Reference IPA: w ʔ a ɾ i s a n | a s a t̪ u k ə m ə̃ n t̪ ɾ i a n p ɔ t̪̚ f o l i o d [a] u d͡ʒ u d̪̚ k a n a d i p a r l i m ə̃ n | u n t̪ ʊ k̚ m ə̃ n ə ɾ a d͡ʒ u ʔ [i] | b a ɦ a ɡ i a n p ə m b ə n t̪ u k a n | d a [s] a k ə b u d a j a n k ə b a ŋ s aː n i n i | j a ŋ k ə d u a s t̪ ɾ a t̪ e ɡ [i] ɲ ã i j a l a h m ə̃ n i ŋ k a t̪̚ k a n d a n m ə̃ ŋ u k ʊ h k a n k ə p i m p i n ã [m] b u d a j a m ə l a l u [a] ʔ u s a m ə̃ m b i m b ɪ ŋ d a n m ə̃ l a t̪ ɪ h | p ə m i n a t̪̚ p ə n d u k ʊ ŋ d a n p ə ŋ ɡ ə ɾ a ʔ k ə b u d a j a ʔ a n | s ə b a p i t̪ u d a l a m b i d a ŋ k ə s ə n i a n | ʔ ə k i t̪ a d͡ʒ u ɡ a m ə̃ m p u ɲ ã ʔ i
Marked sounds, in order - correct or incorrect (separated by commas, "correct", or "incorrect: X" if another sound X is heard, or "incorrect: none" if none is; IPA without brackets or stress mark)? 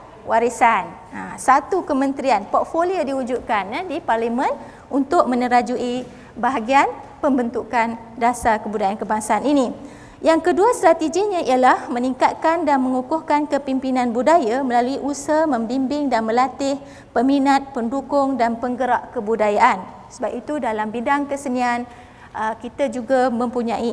incorrect: i, correct, correct, correct, incorrect: n, incorrect: i